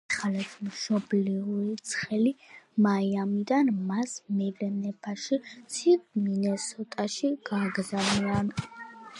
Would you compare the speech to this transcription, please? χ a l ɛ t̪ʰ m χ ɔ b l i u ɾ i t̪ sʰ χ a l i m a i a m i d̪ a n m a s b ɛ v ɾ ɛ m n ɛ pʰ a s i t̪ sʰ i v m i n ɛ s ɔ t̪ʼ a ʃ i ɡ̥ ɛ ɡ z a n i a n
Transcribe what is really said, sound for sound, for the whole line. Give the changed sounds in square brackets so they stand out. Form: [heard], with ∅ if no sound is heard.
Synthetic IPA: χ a l ɛ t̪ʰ m [ʃ] ɔ b l i u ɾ i t̪ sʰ χ [ɛ] l i m a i a m i d̪ a n m a s [m] ɛ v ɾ ɛ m n ɛ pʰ a [ʃ] i t̪ sʰ i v m i n ɛ s ɔ t̪ʼ a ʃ i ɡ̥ [a] ɡ z a n i a n